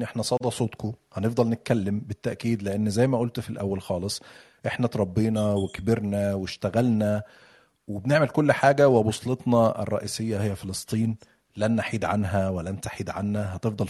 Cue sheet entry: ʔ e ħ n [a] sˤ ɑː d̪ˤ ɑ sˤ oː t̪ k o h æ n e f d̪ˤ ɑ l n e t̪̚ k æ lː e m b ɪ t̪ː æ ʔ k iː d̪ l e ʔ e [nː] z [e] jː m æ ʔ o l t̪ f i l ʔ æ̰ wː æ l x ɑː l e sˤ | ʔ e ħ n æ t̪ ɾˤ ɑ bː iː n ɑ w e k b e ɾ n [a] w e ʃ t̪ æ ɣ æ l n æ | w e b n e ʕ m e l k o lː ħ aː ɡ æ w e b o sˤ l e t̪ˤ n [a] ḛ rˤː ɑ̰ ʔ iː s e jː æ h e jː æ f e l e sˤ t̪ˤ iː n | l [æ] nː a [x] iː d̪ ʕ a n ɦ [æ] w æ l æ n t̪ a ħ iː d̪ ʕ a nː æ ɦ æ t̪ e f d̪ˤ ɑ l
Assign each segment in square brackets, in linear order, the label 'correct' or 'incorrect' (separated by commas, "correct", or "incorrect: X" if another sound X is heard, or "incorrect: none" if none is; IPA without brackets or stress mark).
incorrect: æ, correct, incorrect: æ, incorrect: æ, incorrect: ɑ, correct, incorrect: ħ, correct